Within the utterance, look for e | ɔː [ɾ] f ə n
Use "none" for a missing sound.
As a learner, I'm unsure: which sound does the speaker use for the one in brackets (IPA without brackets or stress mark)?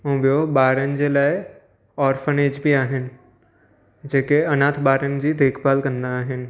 ɾ